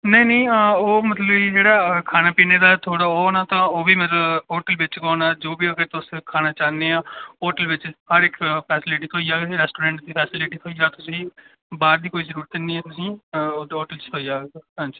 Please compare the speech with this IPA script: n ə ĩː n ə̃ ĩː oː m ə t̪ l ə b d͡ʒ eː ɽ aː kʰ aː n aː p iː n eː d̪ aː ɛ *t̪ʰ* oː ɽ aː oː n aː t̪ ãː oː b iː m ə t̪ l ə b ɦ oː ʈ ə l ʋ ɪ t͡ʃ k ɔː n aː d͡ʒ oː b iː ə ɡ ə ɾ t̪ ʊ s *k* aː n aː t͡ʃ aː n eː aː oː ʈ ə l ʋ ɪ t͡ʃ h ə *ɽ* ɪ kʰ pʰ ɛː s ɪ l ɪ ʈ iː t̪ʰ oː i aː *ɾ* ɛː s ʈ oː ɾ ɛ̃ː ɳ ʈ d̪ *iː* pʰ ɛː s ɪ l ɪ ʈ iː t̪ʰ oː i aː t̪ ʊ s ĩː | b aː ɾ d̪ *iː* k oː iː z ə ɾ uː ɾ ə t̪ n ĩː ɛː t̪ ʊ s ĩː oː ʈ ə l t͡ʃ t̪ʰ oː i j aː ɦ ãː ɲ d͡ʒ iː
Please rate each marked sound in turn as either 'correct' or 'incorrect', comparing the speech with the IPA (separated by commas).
correct, incorrect, incorrect, correct, correct, correct